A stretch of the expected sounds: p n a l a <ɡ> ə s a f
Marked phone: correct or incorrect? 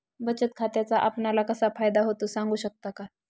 incorrect